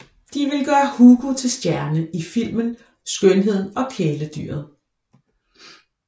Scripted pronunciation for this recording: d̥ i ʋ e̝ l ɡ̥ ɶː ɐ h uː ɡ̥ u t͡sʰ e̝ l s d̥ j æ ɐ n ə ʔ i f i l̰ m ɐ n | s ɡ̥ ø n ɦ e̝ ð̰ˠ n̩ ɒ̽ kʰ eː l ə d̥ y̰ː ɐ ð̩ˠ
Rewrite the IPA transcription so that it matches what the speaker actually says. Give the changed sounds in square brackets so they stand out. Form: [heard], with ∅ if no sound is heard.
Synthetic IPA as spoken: d̥ i ʋ e̝ l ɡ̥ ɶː ɐ h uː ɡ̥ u t͡sʰ e̝ l s d̥ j æ ɐ n ə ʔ i f i l̰ m [ə] n | s ɡ̥ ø n ɦ e̝ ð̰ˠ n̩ ɒ̽ kʰ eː l ə d̥ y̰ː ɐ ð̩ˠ